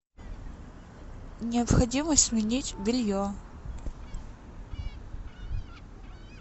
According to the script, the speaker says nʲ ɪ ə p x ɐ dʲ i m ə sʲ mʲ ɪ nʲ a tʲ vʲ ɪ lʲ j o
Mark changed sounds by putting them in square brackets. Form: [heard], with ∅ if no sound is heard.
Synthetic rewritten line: nʲ ɪ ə p x ɐ dʲ i m ə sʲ mʲ ɪ nʲ [i] tʲ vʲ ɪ lʲ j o